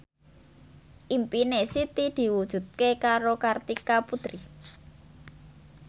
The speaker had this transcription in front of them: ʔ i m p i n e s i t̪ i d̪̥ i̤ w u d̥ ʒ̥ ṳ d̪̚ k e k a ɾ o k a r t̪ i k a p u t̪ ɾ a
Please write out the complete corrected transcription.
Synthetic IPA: ʔ i m p i n e s i t̪ i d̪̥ i̤ w u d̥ ʒ̥ ṳ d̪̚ k e k a ɾ o k a r t̪ i k a p u t̪ ɾ i